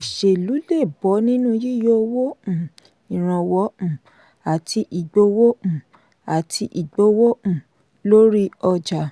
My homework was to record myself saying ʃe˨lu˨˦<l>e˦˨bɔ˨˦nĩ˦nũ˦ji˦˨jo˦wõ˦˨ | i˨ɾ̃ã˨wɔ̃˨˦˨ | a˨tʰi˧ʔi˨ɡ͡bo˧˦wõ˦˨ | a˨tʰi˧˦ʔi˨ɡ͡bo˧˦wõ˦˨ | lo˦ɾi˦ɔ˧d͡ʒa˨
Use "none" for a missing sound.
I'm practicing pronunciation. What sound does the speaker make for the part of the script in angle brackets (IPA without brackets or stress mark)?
l